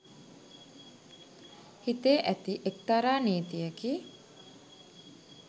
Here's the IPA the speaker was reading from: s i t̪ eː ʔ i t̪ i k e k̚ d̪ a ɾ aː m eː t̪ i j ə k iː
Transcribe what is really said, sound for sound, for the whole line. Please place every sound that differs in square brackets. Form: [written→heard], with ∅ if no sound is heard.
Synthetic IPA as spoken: [s→h] i t̪ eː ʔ [i→æ] t̪ i [k→ʔ] e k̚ [d̪→t̪] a ɾ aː [m→n] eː t̪ i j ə k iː